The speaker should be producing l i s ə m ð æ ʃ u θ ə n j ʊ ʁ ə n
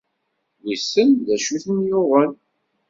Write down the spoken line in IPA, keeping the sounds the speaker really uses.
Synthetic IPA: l i s ə n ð æ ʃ u θ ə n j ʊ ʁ ə n